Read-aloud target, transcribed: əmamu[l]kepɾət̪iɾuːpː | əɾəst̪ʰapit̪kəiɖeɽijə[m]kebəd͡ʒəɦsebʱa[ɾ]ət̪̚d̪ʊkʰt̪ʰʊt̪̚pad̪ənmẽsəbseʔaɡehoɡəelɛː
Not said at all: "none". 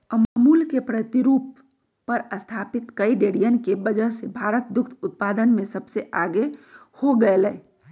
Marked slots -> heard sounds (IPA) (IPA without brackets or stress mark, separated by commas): l, n, ɾ